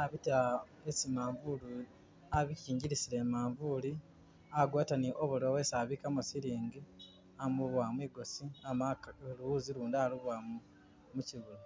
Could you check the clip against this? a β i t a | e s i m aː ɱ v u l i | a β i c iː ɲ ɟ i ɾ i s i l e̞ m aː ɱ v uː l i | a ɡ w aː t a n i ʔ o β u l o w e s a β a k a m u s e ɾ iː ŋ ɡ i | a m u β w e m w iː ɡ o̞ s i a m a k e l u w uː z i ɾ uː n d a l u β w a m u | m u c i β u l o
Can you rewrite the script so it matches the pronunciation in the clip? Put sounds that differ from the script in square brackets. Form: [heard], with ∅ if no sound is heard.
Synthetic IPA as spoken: a β i t a | e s i m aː ɱ v u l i | a β i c iː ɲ ɟ i ɾ i s i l e̞ m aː ɱ v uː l i | a ɡ w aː t a n i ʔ o β u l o w e s a β [i] k a m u s [i] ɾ iː ŋ ɡ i | a m u β w [a] m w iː ɡ o̞ s i a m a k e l u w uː z i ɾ uː n d a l u β w a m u | m u c i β u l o